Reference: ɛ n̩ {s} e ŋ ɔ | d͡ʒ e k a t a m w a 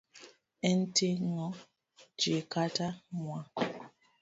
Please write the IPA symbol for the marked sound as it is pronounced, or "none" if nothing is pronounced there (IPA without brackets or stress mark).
t